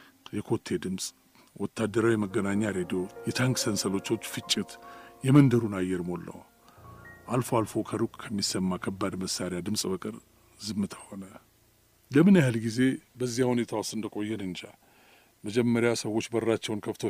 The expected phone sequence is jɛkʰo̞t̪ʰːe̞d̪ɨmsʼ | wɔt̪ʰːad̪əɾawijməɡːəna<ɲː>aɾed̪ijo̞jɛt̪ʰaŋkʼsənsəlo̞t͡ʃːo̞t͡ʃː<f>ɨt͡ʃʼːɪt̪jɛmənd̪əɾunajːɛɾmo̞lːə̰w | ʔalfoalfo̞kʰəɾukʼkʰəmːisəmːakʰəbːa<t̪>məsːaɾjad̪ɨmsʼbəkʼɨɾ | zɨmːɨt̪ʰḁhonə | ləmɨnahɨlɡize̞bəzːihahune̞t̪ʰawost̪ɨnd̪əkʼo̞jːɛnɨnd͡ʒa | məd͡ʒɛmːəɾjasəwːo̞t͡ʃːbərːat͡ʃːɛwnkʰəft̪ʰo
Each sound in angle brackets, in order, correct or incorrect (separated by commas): correct, correct, incorrect